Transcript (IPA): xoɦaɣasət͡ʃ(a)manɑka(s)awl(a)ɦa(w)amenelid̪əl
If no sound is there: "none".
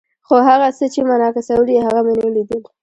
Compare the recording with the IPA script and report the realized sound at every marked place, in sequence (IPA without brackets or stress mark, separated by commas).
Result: e, s, i, ɣ